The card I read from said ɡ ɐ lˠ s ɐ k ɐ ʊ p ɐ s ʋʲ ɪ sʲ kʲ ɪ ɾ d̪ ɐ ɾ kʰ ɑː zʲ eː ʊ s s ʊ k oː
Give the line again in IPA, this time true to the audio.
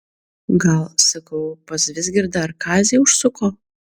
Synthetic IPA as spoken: ɡ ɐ lˠ s ɐ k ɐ ʊ p ɐ s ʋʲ ɪ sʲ ɡʲ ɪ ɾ d̪ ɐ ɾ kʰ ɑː zʲ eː ʊ ʃ s ʊ k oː